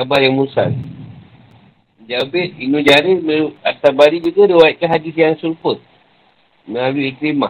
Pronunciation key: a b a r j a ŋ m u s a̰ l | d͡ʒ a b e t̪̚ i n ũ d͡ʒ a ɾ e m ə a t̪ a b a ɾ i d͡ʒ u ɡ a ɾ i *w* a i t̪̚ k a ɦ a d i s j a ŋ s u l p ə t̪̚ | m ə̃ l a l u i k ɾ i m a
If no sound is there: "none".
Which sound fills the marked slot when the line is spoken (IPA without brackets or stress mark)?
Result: w